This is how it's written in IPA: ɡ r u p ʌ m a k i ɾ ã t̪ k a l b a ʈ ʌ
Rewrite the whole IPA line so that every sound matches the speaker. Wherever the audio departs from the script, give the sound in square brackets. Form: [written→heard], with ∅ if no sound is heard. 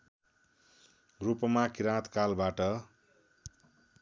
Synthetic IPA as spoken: ɡ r u p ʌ m a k i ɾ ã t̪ k a l b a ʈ ʌ